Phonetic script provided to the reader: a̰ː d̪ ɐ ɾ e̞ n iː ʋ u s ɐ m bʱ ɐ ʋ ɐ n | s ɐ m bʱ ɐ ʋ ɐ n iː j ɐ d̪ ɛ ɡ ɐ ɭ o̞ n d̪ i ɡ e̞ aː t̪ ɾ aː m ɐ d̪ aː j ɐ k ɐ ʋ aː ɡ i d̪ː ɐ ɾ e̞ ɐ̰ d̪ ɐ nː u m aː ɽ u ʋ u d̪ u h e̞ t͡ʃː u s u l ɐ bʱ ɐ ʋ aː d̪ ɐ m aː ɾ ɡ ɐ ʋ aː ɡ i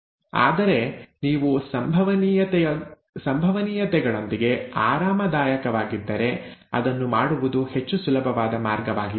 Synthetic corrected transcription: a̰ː d̪ ɐ ɾ e̞ n iː ʋ u s ɐ m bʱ ɐ ʋ ɐ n | s ɐ m bʱ ɐ ʋ ɐ n iː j ɐ t̪ ɛ ɡ ɐ ɭ o̞ n d̪ i ɡ e̞ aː ɾ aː m ɐ d̪ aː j ɐ k ɐ ʋ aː ɡ i d̪ː ɐ ɾ e̞ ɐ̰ d̪ ɐ nː u m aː ɽ u ʋ u d̪ u h e̞ t͡ʃː u s u l ɐ bʱ ɐ ʋ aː d̪ ɐ m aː ɾ ɡ ɐ ʋ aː ɡ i